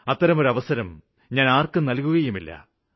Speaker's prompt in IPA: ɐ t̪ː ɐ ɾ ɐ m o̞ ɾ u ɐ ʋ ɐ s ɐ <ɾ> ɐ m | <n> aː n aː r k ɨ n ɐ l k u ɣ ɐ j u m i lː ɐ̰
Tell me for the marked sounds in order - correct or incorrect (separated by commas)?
correct, incorrect